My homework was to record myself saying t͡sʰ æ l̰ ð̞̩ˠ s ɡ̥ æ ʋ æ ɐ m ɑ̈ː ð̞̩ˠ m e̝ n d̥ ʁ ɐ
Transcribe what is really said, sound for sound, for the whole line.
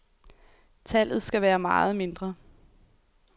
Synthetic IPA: t͡sʰ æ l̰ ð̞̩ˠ s ɡ̥ æ ʋ æː ɐ m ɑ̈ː ð̞̩ˠ m e̝ n d̥ ʁ ɐ